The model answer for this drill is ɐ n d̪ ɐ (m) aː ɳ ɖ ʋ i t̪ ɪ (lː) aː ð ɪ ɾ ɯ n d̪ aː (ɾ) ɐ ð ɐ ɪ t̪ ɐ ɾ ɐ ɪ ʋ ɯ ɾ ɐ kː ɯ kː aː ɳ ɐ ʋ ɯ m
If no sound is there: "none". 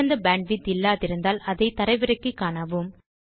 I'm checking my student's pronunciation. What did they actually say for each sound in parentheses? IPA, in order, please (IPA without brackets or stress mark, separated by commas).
b, lː, l